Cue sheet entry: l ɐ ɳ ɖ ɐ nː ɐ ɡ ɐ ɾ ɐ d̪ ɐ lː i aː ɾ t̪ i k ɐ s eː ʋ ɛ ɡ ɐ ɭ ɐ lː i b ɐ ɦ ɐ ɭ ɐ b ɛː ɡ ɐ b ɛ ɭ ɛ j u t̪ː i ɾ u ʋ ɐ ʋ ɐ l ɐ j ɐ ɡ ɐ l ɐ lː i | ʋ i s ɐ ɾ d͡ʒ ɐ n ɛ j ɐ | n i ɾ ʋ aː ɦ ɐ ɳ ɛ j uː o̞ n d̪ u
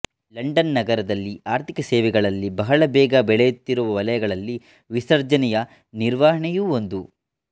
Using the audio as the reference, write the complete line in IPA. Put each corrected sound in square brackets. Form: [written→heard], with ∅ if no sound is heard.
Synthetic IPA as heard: l ɐ ɳ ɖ ɐ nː ɐ ɡ ɐ ɾ ɐ d̪ ɐ lː i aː ɾ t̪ i k ɐ s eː ʋ ɛ ɡ ɐ ɭ ɐ lː i b ɐ ɦ ɐ ɭ ɐ b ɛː ɡ ɐ b ɛ ɭ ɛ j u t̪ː i ɾ u ʋ ɐ ʋ ɐ l ɐ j ɐ ɡ ɐ [l→ɭ] ɐ lː i | ʋ i s ɐ ɾ d͡ʒ ɐ n ɛ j ɐ | n i ɾ ʋ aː ɦ ɐ ɳ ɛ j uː o̞ n d̪ u